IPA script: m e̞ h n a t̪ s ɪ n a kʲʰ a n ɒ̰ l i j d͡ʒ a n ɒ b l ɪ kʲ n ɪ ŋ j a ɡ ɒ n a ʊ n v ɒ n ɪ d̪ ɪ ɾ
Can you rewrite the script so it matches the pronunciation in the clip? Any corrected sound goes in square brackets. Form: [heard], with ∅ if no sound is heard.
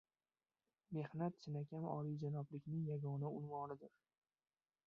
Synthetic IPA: m e̞ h n a t̪ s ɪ n a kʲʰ a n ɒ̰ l i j d͡ʒ a n ɒ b l ɪ kʲ n ɪ ŋ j a ɡ ɒ n a ʊ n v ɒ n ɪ d̪ ɪ ɾ